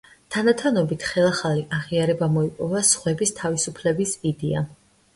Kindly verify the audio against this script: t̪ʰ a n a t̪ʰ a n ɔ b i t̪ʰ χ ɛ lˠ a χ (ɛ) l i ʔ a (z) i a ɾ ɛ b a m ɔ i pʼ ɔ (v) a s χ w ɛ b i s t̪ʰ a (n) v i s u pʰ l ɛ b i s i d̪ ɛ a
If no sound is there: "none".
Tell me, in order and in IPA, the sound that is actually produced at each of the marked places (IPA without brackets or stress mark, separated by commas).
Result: a, ʁ, v, none